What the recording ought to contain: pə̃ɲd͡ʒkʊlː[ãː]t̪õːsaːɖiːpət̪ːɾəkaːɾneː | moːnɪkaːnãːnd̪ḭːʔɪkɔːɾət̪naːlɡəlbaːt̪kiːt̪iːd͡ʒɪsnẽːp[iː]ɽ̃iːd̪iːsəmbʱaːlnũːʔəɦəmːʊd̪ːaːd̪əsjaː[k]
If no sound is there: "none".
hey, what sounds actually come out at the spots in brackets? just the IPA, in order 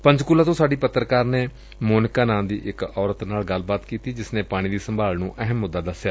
aː, aː, none

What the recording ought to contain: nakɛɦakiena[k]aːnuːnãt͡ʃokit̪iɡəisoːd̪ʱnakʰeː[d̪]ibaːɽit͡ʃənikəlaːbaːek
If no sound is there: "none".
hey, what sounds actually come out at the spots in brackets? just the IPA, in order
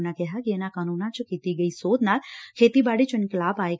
k, t̪

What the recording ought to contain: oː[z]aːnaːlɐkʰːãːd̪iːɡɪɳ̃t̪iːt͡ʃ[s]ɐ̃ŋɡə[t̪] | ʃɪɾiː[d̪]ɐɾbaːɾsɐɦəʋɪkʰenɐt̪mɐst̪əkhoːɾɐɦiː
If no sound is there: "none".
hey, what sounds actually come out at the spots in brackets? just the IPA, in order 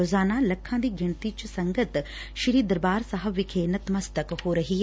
z, s, t̪, d̪

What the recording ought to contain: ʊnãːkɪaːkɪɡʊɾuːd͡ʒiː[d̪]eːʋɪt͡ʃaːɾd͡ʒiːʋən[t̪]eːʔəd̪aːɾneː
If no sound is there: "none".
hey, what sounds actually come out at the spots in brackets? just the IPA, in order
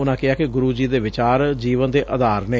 d̪, d̪

